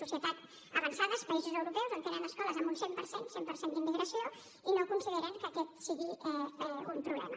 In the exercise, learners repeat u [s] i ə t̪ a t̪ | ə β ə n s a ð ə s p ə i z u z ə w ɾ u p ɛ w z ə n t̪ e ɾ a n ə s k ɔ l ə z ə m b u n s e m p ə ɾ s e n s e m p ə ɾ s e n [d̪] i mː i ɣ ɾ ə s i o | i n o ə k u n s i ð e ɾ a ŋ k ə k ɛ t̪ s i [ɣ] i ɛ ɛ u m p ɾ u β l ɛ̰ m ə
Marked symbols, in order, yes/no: yes, yes, yes

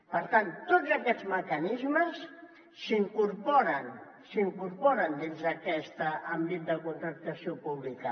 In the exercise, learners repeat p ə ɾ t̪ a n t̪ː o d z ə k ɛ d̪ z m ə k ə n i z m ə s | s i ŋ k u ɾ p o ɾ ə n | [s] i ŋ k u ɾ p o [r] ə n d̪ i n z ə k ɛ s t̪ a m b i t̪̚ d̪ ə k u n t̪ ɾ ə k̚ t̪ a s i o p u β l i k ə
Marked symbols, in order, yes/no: yes, no

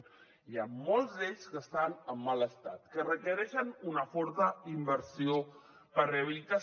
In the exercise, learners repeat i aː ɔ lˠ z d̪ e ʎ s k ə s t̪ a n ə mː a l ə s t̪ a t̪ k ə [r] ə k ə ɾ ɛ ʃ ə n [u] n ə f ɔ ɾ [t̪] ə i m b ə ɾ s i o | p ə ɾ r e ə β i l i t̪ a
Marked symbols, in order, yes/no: yes, yes, yes

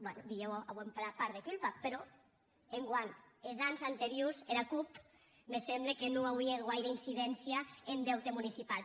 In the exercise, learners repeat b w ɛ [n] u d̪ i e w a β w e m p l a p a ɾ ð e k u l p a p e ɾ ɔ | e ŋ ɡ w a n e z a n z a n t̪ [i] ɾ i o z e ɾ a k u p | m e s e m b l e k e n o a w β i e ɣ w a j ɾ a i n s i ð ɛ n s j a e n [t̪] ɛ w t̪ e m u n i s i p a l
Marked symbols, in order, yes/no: yes, no, no

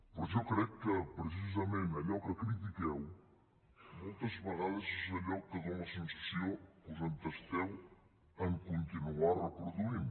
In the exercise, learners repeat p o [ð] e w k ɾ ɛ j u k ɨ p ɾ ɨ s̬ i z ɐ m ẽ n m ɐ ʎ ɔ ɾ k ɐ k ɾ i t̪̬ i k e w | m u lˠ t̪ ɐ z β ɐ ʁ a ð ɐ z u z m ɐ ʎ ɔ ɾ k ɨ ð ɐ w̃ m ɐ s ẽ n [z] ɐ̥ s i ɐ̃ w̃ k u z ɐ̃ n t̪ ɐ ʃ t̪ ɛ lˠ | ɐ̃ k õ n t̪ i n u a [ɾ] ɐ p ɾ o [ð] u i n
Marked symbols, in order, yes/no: no, no, yes, yes

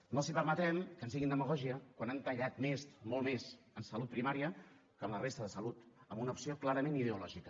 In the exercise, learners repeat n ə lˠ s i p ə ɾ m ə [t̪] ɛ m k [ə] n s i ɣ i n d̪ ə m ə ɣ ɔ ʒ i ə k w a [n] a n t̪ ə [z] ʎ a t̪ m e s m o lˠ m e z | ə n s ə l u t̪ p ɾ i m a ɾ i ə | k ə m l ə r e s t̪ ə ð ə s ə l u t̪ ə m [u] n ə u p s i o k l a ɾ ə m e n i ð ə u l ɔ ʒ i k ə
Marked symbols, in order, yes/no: yes, yes, yes, no, yes

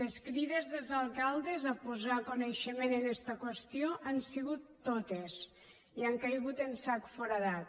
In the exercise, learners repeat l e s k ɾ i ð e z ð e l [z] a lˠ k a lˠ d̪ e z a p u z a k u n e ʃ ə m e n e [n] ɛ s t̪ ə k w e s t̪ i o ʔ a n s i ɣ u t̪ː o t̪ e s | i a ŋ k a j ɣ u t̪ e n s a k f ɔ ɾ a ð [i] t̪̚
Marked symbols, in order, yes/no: yes, yes, no

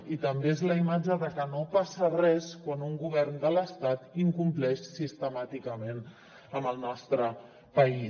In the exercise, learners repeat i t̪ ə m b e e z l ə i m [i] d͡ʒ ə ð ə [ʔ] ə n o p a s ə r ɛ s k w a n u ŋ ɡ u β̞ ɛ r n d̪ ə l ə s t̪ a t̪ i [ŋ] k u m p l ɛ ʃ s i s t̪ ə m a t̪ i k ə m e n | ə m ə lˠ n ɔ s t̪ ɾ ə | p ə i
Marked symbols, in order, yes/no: no, no, yes

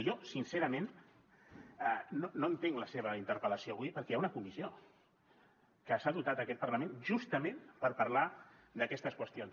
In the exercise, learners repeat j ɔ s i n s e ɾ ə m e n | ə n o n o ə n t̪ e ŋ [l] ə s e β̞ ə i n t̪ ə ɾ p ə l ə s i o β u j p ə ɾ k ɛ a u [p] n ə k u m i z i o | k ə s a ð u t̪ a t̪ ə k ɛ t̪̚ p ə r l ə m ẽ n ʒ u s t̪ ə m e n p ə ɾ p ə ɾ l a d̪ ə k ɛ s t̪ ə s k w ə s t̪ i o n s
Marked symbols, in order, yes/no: yes, no

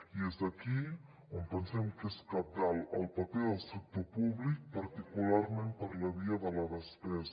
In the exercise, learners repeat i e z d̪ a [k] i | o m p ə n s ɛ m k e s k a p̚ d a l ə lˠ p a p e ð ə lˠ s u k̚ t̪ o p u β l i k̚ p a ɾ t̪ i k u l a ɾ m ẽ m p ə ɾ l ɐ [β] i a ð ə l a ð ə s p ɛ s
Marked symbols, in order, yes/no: yes, yes

